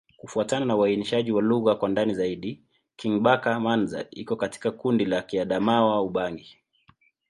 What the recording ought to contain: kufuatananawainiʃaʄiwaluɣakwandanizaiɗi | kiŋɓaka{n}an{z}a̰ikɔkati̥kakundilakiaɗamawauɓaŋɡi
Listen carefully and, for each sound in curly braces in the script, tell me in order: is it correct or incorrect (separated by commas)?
incorrect, correct